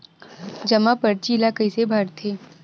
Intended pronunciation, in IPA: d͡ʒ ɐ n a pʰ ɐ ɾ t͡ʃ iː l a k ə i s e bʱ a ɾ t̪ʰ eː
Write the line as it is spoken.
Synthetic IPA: d͡ʒ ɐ m a p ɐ ɾ t͡ʃ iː l a k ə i s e bʱ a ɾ t̪ʰ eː